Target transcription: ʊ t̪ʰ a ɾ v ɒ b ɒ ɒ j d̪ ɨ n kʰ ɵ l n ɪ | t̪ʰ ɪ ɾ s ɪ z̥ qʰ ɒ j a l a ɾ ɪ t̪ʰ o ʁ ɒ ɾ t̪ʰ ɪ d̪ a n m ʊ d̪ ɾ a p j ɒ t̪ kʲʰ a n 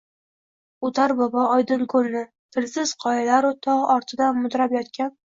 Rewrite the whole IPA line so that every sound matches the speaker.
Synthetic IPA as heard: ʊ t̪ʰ a ɾ b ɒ b ɒ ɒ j d̪ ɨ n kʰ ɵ l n ɪ | t̪ʰ ɪ l s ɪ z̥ qʰ ɒ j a l a ɾ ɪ t̪ʰ ɒ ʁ ɒ ɾ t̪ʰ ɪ d̪ a n m ʊ d̪ ɾ a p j ɒ t̪ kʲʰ a n